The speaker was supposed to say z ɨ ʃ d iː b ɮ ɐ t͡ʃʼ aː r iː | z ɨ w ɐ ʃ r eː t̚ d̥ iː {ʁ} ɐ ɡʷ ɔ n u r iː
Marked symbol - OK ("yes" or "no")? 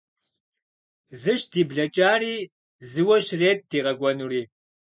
yes